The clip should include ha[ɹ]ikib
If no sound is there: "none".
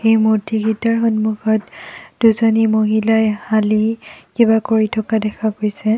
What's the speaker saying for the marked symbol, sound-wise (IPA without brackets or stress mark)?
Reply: l